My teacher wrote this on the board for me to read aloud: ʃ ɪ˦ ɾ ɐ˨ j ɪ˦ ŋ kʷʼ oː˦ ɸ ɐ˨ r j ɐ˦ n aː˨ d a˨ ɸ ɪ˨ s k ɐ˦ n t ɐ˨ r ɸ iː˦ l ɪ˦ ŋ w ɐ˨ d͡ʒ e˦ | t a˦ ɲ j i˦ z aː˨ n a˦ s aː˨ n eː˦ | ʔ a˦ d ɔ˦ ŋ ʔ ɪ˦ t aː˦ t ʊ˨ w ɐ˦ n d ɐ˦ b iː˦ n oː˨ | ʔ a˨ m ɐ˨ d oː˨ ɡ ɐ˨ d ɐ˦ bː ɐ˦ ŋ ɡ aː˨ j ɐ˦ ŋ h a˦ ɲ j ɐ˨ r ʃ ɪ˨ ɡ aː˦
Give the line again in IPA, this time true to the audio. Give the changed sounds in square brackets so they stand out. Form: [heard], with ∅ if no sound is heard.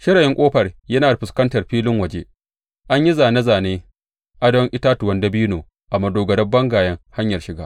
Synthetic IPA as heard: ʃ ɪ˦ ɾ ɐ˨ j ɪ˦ ŋ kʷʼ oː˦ ɸ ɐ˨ r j ɐ˦ n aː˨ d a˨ ɸ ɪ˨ s k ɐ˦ n t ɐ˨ r ɸ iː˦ l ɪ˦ ŋ w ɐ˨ d͡ʒ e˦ | [ʔ] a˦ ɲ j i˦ z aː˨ n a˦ [z] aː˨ n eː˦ | ʔ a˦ d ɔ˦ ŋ ʔ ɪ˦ t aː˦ t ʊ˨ w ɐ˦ n d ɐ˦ b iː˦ n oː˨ | ʔ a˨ m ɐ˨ d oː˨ ɡ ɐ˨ d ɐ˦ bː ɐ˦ ŋ ɡ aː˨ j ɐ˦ ŋ h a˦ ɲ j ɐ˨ r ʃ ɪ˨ ɡ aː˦